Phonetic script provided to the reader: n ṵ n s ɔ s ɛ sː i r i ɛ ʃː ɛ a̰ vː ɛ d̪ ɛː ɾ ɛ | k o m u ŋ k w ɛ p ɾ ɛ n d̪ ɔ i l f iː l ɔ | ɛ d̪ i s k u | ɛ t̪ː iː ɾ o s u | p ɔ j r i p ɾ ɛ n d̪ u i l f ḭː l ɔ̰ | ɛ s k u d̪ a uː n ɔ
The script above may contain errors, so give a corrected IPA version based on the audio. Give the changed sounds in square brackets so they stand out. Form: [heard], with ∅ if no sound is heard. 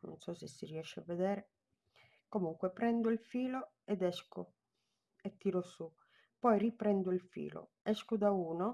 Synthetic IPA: n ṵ n s ɔ s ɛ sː i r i ɛ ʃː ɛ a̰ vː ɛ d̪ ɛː ɾ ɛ | k o m u ŋ k w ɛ p ɾ ɛ n d̪ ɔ i l f iː l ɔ | ɛ d̪ [ɛ] s k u | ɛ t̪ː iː ɾ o s u | p ɔ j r i p ɾ ɛ n d̪ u i l f ḭː l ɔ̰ | ɛ s k u d̪ a uː n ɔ